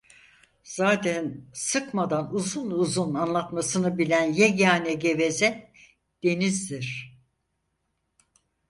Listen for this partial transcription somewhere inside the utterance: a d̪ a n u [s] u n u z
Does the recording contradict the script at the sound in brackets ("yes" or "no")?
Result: yes